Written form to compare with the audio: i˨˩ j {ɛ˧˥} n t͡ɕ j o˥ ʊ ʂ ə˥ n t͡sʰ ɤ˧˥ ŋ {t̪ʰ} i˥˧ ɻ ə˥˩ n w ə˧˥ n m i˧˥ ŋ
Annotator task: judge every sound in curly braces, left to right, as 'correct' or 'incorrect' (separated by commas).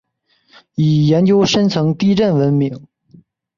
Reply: correct, incorrect